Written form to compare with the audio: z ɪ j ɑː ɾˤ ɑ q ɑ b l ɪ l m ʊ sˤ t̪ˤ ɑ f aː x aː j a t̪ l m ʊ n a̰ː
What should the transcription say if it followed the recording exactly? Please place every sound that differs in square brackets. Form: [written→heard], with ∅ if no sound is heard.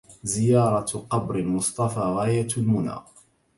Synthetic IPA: z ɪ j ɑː ɾˤ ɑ q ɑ b [l→ɾ] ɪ l m ʊ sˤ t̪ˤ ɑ f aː [x→ɣ] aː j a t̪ l m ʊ n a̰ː